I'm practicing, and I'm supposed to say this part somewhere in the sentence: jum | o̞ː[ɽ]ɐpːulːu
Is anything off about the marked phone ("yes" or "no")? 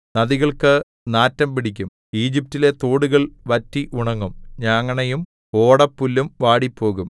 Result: no